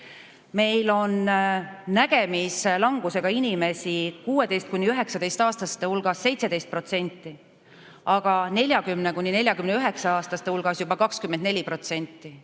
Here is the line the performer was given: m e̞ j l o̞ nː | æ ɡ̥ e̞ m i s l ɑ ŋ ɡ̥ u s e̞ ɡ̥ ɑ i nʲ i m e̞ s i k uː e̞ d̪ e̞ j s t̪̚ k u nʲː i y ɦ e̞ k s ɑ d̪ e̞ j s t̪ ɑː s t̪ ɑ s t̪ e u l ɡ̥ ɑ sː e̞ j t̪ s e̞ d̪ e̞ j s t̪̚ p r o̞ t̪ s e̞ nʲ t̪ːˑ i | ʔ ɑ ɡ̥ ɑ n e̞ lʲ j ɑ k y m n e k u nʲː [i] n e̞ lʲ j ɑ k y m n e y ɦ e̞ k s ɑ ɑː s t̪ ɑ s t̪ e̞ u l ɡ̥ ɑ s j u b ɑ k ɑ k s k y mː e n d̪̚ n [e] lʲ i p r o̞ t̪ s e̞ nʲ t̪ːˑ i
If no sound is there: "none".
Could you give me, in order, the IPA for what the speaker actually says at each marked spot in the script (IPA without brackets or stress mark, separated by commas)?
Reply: i, e